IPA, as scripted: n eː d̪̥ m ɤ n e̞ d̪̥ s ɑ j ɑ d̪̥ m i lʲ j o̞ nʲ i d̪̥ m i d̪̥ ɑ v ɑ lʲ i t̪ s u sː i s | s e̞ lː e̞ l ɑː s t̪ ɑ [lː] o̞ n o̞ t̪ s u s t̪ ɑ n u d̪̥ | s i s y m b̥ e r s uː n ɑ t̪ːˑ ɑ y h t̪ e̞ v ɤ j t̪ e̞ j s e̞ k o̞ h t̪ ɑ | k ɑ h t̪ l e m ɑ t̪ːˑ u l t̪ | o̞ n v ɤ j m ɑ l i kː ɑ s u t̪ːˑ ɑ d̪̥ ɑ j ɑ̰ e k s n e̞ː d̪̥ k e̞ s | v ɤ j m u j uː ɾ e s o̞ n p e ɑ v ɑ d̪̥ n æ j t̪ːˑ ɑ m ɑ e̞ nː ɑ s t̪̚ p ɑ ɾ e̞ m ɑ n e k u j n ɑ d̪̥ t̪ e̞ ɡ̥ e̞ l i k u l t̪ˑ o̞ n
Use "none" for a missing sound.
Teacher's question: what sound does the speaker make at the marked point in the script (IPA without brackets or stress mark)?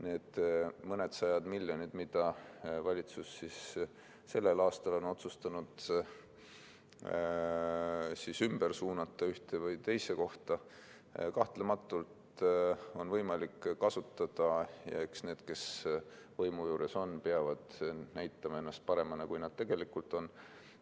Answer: l